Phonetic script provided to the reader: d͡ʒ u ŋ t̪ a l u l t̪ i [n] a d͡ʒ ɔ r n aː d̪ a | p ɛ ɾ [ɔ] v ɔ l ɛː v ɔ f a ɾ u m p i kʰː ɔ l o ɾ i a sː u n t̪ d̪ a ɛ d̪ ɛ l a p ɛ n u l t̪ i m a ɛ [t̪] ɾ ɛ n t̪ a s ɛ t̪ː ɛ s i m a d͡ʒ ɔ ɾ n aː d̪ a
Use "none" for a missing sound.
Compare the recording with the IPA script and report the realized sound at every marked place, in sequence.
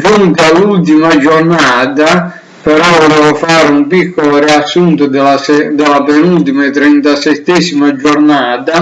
m, ɔ, t̪

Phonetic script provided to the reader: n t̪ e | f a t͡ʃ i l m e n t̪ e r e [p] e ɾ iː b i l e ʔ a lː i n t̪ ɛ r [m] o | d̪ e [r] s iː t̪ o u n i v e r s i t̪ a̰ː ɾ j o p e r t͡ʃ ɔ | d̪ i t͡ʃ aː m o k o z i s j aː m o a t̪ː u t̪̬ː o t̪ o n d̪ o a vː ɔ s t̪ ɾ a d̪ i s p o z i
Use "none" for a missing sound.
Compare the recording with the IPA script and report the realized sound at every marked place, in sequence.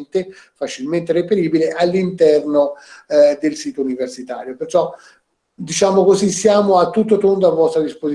p, n, l

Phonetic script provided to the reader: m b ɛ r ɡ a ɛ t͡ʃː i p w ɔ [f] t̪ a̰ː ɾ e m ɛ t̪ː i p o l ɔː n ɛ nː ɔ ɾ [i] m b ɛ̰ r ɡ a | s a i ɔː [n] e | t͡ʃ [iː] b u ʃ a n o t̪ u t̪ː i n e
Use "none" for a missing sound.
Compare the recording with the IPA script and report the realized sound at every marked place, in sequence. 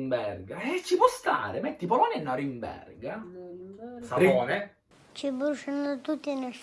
s, i, n, i

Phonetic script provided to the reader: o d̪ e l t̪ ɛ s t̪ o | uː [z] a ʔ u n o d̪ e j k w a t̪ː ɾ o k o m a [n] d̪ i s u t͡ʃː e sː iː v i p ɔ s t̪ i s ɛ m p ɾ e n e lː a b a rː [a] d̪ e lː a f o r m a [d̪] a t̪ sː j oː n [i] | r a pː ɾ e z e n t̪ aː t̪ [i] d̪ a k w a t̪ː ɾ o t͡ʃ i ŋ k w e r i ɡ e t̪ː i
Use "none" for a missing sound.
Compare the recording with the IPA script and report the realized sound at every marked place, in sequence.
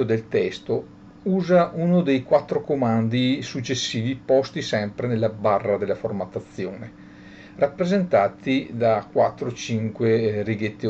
z, n, a, t̪, e, i

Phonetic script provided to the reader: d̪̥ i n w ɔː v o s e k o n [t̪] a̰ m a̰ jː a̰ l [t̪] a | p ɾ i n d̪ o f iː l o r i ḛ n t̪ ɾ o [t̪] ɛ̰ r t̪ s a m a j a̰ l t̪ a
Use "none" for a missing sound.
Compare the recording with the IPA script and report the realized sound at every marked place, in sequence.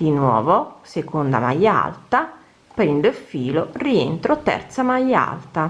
d̪, t̪, t̪

